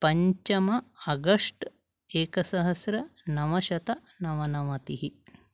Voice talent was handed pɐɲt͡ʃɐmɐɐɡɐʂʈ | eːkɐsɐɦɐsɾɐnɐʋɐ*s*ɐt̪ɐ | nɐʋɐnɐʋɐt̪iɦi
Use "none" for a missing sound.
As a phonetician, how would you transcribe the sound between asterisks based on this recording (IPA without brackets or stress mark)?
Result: ʃ